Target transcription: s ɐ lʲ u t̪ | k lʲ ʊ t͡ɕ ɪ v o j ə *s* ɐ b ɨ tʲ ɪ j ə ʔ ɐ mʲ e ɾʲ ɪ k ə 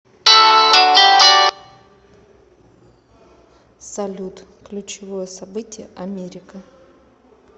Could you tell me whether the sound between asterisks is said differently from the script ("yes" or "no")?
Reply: no